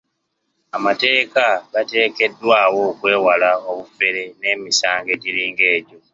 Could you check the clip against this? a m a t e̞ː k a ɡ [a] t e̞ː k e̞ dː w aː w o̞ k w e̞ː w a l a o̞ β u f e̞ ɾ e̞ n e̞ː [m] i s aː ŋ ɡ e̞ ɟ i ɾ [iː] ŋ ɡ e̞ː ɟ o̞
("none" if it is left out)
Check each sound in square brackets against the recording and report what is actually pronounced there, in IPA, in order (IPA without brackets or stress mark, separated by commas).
a, m, iː